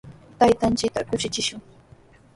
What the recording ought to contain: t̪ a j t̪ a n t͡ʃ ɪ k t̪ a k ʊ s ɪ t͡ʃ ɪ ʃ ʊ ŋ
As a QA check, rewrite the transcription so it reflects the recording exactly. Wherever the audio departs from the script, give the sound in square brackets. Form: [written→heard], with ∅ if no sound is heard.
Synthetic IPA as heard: t̪ a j t̪ a n t͡ʃ ɪ k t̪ a k ʊ [s→ʃ] ɪ t͡ʃ ɪ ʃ ʊ ŋ